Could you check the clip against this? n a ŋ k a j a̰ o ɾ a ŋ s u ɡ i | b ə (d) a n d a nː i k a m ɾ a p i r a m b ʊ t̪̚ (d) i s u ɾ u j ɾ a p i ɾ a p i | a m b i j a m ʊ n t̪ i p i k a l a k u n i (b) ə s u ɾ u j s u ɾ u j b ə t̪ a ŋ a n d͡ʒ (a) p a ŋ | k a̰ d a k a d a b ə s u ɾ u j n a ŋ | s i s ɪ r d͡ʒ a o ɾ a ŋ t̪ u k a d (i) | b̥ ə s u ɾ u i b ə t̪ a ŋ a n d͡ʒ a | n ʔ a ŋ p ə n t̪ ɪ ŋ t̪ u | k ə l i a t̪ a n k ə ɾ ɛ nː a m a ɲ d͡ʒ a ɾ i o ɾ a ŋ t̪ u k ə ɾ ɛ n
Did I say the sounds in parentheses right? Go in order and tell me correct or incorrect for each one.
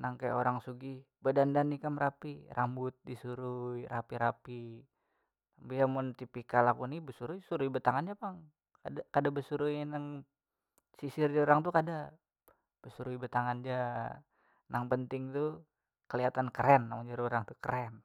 correct, correct, correct, correct, incorrect: a

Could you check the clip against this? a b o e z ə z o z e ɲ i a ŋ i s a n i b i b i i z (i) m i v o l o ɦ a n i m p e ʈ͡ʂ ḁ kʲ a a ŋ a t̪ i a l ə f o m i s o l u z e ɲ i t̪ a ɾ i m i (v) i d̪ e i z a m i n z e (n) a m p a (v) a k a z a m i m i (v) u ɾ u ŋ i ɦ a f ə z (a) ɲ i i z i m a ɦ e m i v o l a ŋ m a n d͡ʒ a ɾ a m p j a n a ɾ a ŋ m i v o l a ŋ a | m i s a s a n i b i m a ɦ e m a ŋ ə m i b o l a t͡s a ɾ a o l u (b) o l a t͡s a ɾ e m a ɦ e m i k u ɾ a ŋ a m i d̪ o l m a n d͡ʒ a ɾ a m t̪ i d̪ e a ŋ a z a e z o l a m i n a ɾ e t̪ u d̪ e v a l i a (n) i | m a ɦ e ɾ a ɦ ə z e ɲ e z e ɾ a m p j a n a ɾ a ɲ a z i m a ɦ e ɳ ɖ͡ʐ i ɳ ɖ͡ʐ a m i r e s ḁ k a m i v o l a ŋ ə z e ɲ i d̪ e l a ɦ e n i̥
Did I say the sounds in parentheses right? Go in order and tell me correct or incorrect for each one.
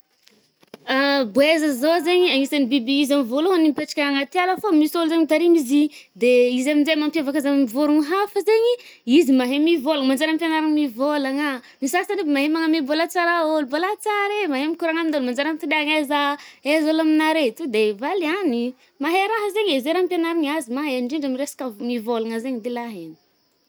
incorrect: a, incorrect: z, incorrect: m, correct, correct, incorrect: e, correct, correct

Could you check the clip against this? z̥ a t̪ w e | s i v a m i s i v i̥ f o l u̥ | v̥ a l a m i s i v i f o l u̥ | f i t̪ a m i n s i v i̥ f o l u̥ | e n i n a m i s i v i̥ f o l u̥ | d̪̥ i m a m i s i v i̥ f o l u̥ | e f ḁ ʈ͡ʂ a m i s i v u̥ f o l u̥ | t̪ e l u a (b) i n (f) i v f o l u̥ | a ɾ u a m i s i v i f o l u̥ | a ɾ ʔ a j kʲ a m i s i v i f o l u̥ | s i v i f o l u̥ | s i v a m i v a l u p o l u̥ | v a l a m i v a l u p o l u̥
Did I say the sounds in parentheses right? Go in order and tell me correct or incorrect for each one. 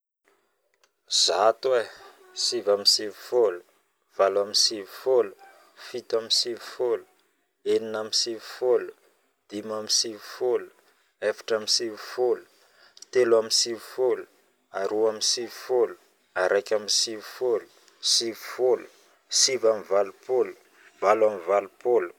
incorrect: m, incorrect: s

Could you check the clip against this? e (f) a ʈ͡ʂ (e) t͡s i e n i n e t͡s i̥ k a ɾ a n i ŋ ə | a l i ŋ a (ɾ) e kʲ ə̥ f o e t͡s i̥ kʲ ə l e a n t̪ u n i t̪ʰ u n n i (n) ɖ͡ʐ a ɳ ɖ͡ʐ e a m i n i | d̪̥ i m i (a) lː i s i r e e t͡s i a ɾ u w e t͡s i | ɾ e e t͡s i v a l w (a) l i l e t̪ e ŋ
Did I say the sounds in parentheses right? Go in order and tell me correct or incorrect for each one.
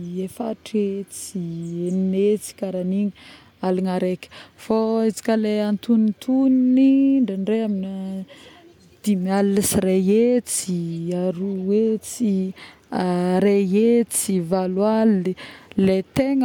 correct, correct, correct, incorrect: ɳ, correct, correct

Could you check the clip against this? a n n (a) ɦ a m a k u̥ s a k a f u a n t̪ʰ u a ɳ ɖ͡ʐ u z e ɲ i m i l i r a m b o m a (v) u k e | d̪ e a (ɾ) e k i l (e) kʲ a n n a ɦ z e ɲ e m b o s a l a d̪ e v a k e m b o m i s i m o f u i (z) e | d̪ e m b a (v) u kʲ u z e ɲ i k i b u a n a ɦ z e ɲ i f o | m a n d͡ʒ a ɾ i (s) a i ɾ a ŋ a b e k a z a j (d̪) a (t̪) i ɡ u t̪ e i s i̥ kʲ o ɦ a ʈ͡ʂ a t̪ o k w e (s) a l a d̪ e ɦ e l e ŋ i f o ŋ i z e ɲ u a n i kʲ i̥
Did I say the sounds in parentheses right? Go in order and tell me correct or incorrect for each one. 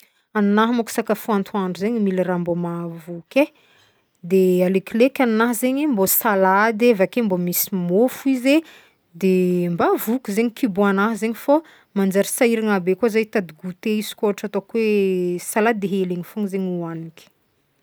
correct, correct, incorrect: l, correct, correct, correct, correct, incorrect: t̪, incorrect: d̪, correct

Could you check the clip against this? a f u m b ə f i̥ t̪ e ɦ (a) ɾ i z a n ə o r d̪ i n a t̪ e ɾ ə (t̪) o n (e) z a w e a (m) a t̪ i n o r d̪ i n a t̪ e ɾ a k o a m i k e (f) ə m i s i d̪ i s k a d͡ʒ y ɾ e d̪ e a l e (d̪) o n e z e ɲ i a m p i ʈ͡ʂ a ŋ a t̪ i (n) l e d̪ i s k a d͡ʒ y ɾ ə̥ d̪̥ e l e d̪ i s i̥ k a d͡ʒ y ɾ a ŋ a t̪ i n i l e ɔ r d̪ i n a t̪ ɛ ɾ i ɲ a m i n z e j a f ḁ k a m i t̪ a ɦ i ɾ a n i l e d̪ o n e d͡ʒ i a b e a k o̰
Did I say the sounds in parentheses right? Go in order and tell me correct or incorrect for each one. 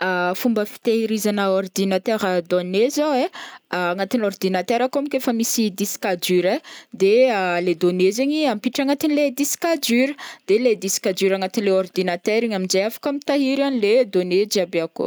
incorrect: i, incorrect: d̪, correct, incorrect: ŋ, correct, correct, correct

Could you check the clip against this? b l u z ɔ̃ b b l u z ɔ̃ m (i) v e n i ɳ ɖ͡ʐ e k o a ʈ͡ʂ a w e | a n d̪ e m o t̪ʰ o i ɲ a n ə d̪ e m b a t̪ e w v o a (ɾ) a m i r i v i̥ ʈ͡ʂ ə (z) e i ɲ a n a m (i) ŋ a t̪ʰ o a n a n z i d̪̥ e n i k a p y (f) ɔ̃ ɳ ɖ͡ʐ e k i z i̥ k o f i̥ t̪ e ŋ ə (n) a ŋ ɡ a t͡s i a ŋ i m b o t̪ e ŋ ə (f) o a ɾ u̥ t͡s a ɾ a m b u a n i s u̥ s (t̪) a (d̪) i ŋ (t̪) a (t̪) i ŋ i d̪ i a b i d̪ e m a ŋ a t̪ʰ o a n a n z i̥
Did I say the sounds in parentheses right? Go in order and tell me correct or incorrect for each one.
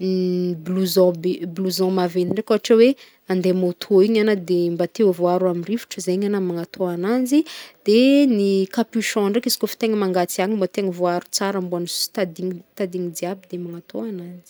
incorrect: a, correct, correct, incorrect: a, incorrect: ʃ, incorrect: m, incorrect: v, correct, correct, correct, incorrect: d̪

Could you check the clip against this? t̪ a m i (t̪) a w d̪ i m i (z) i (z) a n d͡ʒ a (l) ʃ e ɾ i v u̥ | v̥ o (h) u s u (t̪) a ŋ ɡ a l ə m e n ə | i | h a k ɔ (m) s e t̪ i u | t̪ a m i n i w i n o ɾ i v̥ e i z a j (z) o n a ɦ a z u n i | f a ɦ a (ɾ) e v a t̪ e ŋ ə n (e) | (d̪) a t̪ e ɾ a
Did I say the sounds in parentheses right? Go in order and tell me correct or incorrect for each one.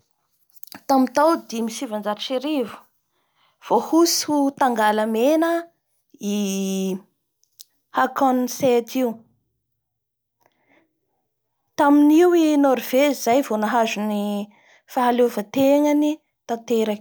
correct, incorrect: s, incorrect: v, incorrect: ɾ, correct, correct, incorrect: n, incorrect: v, incorrect: l, incorrect: i, incorrect: t̪

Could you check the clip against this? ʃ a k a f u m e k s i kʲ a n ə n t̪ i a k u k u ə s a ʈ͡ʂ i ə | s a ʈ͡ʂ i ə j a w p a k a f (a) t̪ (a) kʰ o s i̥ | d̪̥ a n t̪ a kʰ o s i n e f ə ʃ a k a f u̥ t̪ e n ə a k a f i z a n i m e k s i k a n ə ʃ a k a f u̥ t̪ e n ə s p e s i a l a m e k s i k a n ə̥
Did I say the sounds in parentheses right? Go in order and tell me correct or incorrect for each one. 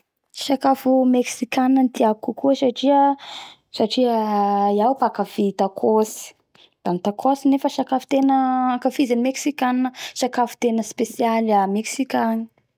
incorrect: i, correct

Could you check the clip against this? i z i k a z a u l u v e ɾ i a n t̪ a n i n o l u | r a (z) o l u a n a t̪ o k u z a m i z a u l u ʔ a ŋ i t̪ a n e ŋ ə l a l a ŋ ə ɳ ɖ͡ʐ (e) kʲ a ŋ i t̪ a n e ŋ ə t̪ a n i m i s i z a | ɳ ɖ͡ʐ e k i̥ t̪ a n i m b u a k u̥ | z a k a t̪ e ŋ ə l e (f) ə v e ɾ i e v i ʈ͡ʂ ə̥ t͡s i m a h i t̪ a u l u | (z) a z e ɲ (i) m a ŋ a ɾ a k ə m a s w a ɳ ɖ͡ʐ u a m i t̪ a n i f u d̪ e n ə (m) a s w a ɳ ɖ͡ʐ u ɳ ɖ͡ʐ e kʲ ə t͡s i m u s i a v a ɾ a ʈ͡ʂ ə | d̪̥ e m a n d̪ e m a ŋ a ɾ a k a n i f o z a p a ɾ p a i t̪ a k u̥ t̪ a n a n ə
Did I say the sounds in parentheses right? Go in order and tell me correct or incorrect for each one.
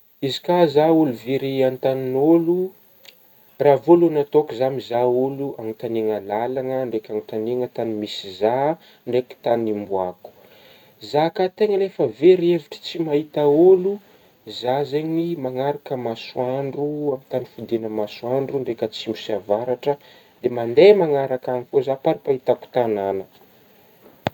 incorrect: v, correct, correct, correct, correct, correct

